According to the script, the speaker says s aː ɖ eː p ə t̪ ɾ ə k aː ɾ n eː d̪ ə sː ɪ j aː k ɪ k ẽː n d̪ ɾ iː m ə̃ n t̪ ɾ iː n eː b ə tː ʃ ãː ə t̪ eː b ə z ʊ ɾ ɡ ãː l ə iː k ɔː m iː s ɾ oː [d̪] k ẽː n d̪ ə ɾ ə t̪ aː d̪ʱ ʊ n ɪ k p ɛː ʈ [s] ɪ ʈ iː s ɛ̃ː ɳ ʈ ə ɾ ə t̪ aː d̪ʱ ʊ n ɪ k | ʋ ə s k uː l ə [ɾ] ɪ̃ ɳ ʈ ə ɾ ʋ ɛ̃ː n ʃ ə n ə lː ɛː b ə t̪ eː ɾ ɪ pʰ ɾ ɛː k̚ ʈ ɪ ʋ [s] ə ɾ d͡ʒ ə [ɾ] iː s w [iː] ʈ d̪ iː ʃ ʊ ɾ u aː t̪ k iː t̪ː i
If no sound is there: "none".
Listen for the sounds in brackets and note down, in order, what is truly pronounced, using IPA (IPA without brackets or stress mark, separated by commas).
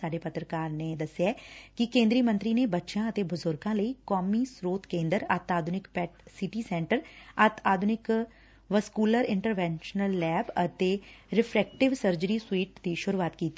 t̪, s, ɾ, s, ɾ, iː